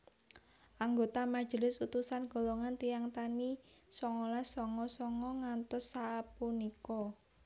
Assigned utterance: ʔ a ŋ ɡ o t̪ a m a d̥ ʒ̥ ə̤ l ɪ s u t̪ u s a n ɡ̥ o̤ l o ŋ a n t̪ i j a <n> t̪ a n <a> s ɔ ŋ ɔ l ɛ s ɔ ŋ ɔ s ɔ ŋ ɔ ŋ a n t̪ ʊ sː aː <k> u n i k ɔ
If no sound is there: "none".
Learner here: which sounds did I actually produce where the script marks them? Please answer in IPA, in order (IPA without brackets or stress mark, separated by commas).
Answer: ŋ, i, p